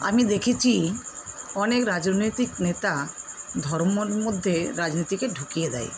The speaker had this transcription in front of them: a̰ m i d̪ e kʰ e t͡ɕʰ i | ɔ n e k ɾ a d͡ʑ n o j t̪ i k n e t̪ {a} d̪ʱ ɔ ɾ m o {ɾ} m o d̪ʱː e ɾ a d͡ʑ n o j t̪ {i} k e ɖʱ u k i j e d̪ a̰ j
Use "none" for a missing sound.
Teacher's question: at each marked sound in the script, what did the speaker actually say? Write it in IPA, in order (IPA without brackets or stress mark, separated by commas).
a, ɾ, i